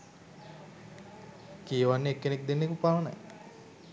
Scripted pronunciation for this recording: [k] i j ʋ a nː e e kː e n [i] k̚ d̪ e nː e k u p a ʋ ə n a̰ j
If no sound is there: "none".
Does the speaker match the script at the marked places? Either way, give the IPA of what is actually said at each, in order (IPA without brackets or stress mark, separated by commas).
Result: k, e